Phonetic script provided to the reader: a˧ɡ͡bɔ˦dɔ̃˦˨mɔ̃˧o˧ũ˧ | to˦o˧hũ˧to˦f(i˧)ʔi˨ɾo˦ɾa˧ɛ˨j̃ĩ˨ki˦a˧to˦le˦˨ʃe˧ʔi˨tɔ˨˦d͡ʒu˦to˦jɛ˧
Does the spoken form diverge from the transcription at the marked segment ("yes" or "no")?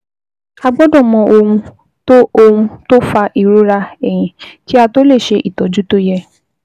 yes